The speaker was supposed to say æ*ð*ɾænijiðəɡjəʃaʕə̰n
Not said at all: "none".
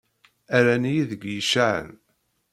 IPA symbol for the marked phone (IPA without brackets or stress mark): none